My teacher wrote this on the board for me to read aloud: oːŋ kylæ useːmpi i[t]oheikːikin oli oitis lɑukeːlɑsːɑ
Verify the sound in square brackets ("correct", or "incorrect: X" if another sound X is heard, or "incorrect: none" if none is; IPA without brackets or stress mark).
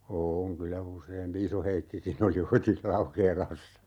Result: incorrect: s